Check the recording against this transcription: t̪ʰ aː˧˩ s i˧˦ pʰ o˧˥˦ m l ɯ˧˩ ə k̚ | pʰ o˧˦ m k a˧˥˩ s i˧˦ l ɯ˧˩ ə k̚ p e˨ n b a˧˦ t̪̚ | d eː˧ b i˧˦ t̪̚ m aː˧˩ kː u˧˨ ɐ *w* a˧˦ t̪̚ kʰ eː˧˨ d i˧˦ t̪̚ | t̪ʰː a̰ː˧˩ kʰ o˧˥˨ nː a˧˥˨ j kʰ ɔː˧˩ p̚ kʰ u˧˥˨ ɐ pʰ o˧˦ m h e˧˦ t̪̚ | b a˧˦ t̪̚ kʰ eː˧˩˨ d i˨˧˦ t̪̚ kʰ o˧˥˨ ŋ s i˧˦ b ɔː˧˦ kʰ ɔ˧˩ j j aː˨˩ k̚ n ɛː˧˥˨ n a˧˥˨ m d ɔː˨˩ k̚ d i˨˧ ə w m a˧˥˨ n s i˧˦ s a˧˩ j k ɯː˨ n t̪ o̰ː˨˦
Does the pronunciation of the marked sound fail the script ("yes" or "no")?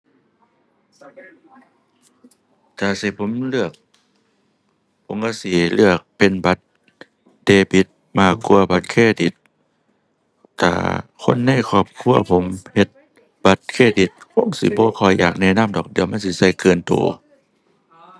yes